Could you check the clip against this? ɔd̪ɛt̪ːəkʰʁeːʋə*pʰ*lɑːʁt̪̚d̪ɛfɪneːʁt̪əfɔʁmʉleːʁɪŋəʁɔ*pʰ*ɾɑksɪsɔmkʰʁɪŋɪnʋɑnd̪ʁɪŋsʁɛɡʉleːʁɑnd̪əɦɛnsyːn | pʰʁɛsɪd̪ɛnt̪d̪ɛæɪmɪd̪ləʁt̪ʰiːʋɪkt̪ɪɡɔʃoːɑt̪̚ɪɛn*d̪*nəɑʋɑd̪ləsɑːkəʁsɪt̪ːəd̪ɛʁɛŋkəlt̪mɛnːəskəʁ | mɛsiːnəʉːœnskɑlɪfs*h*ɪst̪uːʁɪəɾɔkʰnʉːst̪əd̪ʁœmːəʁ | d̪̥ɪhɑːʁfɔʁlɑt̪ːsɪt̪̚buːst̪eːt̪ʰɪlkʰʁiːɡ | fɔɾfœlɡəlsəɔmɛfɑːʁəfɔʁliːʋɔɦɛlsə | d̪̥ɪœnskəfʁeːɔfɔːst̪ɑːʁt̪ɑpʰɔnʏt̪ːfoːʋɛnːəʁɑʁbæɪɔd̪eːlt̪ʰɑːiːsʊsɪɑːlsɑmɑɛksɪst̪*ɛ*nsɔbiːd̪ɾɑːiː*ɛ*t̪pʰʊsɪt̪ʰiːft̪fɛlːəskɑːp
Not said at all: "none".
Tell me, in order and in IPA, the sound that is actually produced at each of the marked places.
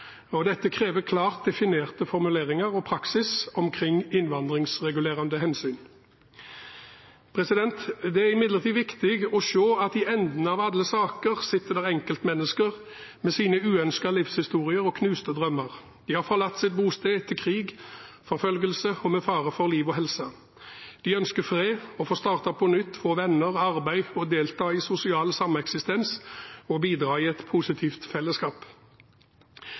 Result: kʰ, pʰ, d̪, h, ɛ, ɛ

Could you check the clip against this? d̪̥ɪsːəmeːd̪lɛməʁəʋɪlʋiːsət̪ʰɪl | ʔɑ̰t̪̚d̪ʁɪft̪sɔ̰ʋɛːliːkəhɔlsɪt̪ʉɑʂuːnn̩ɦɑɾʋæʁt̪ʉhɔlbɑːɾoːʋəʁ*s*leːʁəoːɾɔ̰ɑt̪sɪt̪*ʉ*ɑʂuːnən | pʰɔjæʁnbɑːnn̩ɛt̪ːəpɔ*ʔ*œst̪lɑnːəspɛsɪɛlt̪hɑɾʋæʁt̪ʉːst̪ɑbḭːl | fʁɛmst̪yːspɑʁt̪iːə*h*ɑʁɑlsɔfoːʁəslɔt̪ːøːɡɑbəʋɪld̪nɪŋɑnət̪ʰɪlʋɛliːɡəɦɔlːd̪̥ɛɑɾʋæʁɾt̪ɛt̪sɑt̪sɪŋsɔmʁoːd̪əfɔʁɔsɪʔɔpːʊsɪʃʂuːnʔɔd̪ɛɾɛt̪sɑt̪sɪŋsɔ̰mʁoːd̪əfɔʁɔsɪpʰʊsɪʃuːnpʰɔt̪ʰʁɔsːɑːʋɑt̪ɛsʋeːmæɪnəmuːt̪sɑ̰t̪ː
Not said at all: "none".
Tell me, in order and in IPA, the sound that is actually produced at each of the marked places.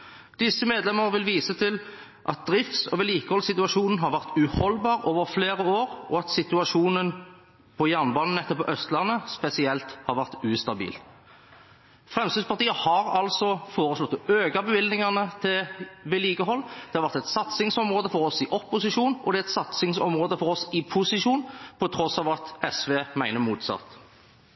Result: f, ʉ, ʔ, h

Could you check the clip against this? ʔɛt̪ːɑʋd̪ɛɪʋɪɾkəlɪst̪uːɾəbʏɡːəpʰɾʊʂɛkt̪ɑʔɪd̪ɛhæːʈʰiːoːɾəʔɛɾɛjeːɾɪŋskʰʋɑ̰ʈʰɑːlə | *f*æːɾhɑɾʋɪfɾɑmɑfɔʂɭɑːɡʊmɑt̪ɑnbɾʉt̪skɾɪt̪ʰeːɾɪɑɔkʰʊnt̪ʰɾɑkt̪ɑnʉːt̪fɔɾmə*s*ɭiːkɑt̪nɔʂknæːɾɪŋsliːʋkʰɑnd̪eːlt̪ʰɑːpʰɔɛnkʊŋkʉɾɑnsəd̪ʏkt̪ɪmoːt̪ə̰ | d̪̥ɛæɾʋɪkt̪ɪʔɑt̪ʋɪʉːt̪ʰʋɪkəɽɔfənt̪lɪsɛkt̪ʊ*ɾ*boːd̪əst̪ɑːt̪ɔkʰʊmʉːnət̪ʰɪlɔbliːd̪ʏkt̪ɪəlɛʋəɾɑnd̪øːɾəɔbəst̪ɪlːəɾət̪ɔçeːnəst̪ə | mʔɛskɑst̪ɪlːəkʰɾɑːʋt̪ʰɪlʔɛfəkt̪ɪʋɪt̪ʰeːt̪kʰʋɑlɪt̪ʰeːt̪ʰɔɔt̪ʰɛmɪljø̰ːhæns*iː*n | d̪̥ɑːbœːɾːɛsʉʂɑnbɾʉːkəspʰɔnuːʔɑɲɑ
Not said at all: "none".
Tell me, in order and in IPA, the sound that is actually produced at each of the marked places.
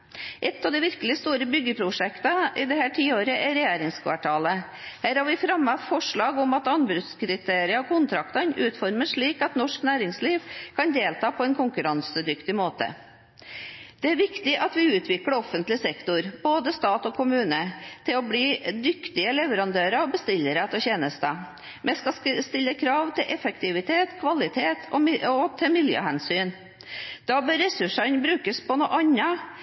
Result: h, ʂ, ɾ, yː

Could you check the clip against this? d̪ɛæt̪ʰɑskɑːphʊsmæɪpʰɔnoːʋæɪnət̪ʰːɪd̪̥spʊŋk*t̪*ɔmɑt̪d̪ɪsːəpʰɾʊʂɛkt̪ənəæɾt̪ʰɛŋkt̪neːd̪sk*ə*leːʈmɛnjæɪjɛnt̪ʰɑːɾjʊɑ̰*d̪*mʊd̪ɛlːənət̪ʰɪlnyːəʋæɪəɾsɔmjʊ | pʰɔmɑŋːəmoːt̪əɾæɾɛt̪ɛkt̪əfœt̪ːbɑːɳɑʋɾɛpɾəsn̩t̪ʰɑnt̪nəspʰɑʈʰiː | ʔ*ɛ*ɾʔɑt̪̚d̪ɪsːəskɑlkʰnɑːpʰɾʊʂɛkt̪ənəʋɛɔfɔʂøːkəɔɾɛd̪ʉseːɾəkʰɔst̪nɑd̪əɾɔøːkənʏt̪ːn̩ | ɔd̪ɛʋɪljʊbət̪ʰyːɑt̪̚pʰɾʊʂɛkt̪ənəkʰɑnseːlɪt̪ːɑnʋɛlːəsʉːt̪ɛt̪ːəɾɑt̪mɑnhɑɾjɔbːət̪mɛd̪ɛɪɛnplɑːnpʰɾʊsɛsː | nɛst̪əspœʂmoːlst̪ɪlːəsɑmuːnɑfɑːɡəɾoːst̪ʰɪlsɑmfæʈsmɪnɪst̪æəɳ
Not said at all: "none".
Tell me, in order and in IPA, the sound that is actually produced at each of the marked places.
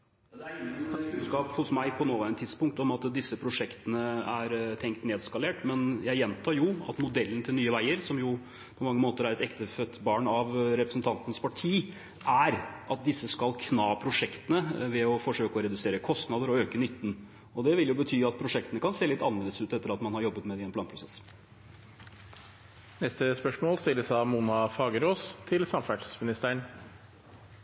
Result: t̪, ɑ, t̪, æ

